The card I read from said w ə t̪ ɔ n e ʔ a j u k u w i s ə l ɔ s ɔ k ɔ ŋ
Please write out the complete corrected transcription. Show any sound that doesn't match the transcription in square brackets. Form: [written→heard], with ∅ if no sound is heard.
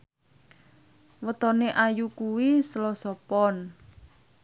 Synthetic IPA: w ə t̪ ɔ n e ʔ a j u k u w i s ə l ɔ s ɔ [k→p] ɔ [ŋ→n]